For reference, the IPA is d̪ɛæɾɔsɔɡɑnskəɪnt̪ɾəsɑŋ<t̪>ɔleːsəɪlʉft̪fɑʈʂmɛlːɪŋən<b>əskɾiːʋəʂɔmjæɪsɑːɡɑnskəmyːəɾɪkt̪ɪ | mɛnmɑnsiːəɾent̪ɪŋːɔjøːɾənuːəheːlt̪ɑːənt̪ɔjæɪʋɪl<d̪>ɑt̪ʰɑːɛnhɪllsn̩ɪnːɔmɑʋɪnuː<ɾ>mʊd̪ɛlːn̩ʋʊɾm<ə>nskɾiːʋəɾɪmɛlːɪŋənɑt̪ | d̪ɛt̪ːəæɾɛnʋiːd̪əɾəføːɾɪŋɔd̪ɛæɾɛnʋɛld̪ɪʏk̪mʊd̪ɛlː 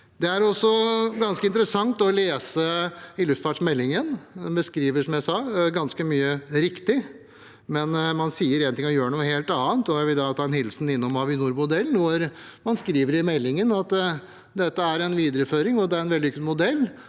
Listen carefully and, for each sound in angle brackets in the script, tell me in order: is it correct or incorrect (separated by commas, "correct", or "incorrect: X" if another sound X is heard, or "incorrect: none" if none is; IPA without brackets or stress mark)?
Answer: correct, correct, correct, correct, incorrect: ɑ